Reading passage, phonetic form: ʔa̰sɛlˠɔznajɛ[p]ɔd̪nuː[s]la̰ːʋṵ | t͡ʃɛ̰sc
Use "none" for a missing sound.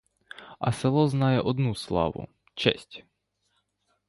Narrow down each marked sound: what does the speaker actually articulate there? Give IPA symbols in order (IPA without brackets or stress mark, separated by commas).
ʔ, s